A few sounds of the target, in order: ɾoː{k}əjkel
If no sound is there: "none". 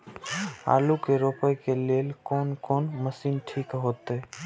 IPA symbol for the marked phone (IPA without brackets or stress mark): p